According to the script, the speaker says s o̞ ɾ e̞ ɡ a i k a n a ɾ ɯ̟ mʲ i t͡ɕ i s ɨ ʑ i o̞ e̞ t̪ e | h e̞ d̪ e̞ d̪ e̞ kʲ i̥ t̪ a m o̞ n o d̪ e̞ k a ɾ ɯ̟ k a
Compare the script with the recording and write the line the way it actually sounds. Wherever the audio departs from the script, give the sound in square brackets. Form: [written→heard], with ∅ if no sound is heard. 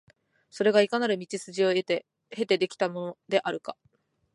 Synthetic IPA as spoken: s o̞ ɾ e̞ ɡ a i k a n a ɾ ɯ̟ mʲ i t͡ɕ i s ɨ ʑ i o̞ e̞ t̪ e | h e̞ [d̪→t̪] e̞ d̪ e̞ kʲ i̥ t̪ a m o̞ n o d̪ e̞ [k→ʔ] a ɾ ɯ̟ k a

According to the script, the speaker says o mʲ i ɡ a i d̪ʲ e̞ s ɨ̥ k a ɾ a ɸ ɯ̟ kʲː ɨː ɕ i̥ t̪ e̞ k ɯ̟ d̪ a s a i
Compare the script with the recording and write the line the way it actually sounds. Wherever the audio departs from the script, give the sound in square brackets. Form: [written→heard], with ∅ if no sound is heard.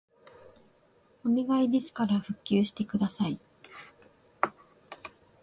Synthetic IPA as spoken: o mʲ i ɡ a i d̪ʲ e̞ s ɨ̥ k a ɾ a ɸ ɯ̟ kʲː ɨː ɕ i̥ t̪ e̞ k ɯ̟ d̪ a s a i

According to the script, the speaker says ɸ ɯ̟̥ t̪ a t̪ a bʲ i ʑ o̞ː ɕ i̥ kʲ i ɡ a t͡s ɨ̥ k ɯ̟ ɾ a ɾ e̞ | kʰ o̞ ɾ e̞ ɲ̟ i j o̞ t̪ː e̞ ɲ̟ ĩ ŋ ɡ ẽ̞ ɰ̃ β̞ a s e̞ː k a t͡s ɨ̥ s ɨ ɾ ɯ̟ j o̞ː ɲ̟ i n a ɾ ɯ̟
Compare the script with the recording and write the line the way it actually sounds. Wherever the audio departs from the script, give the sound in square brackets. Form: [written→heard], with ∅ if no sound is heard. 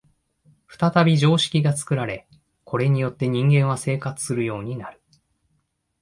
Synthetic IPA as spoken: ɸ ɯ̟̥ t̪ a t̪ a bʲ i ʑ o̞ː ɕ i̥ kʲ i ɡ a t͡s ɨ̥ k ɯ̟ ɾ a ɾ e̞ | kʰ o̞ ɾ e̞ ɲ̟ i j o̞ t̪ː e̞ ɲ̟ ĩ ŋ ɡ ẽ̞ ɰ̃ β̞ a s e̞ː k a t͡s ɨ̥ s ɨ ɾ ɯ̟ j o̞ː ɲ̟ i n a ɾ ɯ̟

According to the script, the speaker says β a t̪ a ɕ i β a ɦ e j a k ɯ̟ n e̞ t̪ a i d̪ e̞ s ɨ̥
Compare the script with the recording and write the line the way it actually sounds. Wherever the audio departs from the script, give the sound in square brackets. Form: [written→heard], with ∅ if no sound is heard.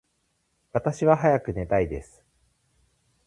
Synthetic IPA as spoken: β a t̪ a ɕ i β a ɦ [e→a] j a k ɯ̟ n e̞ t̪ a i d̪ e̞ s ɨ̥

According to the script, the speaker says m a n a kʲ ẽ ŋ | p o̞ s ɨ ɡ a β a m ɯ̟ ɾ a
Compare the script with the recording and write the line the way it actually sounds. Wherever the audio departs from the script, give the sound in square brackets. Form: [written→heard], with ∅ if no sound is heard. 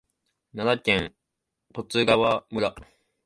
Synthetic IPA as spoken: [m→n] a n a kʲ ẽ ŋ | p o̞ [s→t͡s] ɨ ɡ a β a m ɯ̟ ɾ a

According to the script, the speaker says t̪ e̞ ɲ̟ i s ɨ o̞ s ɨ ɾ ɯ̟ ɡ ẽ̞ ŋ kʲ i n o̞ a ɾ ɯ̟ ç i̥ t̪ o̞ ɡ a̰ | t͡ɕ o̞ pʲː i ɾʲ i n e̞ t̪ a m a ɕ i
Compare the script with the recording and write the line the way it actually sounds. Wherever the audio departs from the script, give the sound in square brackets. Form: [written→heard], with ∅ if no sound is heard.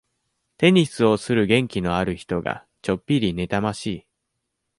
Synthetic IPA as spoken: t̪ e̞ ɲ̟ i s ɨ o̞ s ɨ ɾ ɯ̟ ɡ ẽ̞ ŋ kʲ i n o̞ a ɾ ɯ̟ ç i̥ t̪ o̞ ɡ a̰ | t͡ɕ o̞ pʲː i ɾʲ i n e̞ t̪ a m a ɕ [i→iː]

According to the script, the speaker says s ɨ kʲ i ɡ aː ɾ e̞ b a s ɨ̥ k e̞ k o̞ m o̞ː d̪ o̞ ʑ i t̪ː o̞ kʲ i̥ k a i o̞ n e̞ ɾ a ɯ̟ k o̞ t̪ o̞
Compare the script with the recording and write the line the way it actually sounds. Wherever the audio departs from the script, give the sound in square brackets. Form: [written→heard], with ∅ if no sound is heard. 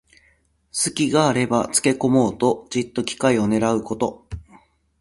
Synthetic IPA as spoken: s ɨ kʲ i ɡ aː ɾ e̞ b a [s→t͡s] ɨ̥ k e̞ k o̞ m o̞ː [d̪→t̪] o̞ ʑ i t̪ː o̞ kʲ i̥ k a i o̞ n e̞ ɾ a ɯ̟ k o̞ t̪ o̞

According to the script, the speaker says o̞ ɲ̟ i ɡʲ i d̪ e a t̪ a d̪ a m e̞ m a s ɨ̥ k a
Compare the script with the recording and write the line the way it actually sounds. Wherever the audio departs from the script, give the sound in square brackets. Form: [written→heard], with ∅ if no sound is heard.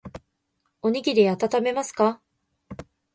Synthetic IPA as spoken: o̞ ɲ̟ i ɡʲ i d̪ e a t̪ a [d̪→t̪] a m e̞ m a s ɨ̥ k a

